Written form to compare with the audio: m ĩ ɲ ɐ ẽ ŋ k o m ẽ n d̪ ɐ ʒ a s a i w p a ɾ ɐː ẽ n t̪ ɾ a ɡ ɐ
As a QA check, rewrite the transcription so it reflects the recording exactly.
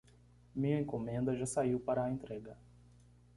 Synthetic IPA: m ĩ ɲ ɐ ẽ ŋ k o m ẽ n d̪ ɐ ʒ a s a i w p a ɾ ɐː ẽ n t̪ ɾ ɛ ɡ ɐ